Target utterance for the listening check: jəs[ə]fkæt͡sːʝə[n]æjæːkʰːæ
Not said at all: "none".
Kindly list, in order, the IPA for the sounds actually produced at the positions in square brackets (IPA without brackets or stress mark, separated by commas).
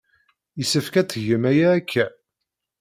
ə, m